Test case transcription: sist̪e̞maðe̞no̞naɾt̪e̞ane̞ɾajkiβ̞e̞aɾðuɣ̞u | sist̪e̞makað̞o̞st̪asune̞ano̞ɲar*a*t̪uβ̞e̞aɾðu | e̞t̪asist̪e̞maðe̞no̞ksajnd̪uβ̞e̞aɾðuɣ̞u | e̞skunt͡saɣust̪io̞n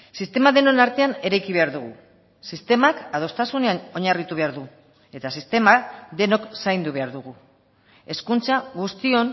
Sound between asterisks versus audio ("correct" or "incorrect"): incorrect